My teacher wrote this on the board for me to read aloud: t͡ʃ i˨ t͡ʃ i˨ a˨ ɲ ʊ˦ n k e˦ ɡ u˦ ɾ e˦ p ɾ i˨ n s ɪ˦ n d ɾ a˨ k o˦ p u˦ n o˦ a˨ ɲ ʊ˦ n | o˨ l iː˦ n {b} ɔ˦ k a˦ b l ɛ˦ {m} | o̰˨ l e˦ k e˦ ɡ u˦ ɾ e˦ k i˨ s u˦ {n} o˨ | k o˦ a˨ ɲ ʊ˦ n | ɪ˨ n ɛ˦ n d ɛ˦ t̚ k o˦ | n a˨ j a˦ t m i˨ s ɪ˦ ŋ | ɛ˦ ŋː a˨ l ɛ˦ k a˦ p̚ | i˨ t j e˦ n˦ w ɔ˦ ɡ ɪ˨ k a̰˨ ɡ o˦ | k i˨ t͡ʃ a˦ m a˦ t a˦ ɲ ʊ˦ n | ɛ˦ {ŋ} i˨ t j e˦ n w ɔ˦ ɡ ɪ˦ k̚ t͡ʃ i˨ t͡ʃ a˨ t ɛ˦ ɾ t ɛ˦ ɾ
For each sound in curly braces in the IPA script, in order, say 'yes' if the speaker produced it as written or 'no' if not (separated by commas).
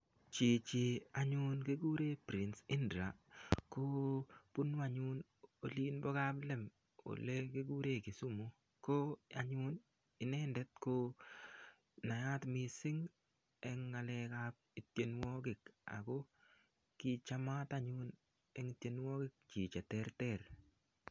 yes, yes, no, yes